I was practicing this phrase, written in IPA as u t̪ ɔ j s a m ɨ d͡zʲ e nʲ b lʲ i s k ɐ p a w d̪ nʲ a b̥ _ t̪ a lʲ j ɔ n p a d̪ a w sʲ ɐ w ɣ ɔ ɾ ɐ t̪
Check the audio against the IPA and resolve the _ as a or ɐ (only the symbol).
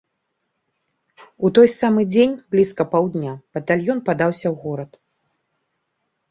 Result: ɐ